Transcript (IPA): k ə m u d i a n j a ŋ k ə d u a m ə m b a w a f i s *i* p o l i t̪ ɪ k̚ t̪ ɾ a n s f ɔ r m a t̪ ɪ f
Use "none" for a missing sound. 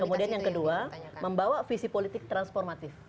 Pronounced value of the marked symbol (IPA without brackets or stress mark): i